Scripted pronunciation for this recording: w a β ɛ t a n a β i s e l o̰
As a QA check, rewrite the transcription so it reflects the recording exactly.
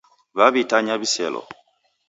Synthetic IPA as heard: β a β i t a ɲ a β i s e l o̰